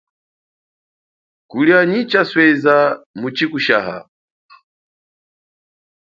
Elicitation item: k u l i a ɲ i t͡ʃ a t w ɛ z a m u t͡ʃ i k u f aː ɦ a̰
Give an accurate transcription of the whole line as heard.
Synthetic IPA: k u l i a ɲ i t͡ʃ a s w ɛ z a m u t͡ʃ i k u ʃ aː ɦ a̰